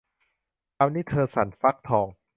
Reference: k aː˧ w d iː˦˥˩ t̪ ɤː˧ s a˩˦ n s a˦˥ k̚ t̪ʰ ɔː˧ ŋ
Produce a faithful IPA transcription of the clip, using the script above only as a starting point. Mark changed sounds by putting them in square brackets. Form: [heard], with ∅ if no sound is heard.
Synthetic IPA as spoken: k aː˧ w [n] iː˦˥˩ [t̪ʰ] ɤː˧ s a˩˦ n [f] a˦˥ k̚ t̪ʰ ɔː˧ ŋ